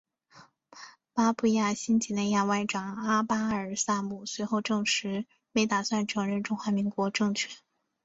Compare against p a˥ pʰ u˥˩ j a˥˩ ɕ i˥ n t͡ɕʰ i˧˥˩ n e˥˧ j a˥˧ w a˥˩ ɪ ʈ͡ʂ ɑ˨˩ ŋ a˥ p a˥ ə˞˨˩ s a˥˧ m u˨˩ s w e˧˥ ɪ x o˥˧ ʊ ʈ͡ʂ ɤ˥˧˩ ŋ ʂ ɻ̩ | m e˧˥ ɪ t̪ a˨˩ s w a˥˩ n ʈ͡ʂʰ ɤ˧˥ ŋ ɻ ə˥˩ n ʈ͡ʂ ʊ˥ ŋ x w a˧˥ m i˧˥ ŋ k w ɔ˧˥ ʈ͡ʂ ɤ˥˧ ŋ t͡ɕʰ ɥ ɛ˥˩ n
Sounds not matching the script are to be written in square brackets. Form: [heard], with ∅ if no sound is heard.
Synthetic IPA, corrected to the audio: p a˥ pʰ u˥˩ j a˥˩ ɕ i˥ n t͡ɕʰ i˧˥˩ n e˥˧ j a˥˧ w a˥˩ ɪ ʈ͡ʂ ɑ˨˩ ŋ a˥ p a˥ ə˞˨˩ s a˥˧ m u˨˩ s w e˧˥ ɪ x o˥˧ ʊ ʈ͡ʂ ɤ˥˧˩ ŋ ʂ ɻ̩ | m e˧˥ ɪ t̪ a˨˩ s w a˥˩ n ʈ͡ʂʰ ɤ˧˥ ŋ ɻ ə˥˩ n ʈ͡ʂ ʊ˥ ŋ x w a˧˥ m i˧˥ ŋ k w ɔ˧˥ ʈ͡ʂ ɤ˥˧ ŋ t͡ɕʰ ɥ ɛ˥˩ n